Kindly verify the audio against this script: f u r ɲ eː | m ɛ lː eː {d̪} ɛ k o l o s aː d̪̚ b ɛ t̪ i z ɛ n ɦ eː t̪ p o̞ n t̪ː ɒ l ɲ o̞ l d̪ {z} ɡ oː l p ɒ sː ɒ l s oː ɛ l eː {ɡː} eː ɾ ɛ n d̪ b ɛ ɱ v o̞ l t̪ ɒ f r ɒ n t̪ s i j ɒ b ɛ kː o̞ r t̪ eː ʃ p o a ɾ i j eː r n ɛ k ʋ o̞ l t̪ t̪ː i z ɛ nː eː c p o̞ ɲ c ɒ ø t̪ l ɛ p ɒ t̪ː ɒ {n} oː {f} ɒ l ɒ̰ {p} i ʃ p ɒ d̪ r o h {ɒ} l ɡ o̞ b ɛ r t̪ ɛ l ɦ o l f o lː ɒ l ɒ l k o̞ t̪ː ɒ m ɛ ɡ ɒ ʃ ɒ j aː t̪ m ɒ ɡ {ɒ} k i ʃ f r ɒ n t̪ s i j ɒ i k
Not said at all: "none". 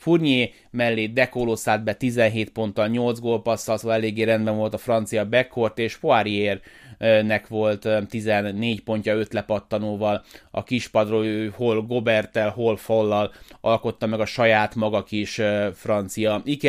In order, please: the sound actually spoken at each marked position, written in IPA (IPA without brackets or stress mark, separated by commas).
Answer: d̪, z, ɡː, n, v, k, o, ɒ